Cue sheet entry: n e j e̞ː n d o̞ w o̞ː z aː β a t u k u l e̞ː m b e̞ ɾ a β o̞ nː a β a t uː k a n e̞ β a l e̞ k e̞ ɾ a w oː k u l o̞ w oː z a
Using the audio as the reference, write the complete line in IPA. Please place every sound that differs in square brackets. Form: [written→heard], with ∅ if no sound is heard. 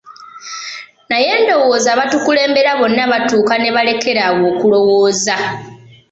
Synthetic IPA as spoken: n [e→a] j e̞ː n d o̞ w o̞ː z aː β a t u k u l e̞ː m b e̞ ɾ a β o̞ nː a β a t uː k a n e̞ β a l e̞ k e̞ ɾ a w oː k u l o̞ w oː z a